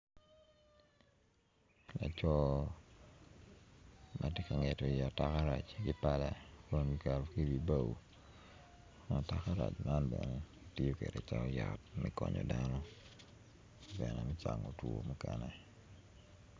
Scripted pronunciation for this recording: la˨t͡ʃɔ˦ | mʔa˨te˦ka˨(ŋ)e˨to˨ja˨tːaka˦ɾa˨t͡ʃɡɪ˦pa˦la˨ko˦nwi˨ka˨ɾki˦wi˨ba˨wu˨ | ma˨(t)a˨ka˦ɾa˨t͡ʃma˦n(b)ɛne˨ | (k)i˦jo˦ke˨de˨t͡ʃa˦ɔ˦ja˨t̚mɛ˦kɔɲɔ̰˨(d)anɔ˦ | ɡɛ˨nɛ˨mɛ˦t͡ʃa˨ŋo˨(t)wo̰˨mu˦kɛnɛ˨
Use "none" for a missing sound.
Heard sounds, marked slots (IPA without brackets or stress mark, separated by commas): ŋ, t, b, t, d, t